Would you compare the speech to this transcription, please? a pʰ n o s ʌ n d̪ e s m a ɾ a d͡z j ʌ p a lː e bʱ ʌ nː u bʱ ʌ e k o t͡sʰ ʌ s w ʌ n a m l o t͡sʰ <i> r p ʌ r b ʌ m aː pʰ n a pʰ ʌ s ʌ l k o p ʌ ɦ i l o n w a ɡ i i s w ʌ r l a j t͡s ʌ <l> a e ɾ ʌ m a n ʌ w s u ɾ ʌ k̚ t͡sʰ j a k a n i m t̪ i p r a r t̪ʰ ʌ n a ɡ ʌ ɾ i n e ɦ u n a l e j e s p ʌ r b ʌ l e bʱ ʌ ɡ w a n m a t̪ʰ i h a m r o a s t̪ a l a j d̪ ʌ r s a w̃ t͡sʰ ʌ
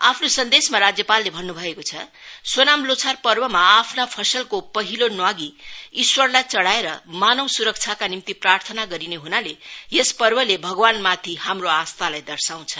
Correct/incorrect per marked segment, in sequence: incorrect: a, incorrect: ɽ

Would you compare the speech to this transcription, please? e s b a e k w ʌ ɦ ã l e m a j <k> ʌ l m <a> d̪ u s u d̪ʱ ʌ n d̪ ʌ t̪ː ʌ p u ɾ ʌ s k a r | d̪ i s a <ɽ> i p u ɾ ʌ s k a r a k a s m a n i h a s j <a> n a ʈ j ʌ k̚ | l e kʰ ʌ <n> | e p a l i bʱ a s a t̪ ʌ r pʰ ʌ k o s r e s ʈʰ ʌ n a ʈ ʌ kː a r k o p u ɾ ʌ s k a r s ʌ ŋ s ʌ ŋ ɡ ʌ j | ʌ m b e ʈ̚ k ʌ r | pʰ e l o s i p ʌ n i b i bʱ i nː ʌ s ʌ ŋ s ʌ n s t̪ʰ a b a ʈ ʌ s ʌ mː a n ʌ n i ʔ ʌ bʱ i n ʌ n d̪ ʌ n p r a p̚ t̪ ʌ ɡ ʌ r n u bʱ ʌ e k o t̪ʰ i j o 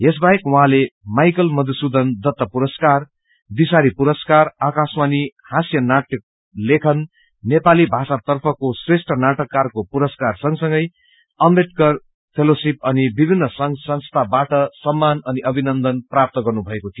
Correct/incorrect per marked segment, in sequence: correct, incorrect: ʌ, incorrect: ɾ, incorrect: ʌ, incorrect: nː

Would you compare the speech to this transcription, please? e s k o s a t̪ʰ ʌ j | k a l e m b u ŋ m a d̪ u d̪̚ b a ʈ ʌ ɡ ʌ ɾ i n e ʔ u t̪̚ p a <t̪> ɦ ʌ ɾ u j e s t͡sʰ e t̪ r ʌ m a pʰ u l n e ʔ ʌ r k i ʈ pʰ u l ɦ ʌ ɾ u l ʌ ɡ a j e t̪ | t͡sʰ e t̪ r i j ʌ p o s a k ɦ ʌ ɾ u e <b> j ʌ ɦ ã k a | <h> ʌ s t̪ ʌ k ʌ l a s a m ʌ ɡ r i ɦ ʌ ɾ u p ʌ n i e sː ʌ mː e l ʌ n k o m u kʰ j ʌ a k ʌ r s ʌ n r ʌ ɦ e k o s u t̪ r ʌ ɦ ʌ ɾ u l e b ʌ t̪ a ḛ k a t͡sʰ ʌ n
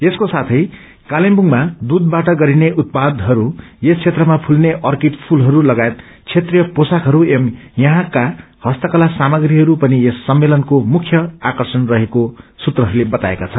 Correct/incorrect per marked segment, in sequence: incorrect: d̪, incorrect: m, correct

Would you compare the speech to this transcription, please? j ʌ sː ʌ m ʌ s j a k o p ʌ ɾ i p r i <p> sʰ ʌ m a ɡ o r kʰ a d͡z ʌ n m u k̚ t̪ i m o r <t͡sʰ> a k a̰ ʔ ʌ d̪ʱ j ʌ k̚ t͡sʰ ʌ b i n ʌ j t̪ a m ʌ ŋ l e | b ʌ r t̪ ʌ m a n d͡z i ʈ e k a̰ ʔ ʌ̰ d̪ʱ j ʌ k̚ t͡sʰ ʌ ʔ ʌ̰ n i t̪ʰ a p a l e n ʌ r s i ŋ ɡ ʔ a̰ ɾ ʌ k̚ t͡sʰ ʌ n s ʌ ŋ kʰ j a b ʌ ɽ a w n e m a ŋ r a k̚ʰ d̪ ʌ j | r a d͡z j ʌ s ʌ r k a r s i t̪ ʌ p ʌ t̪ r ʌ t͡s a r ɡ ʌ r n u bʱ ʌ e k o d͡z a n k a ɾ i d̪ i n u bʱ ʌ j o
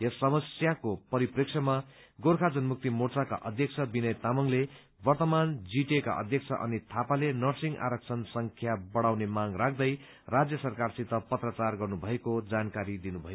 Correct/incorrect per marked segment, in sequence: incorrect: k, incorrect: t͡s

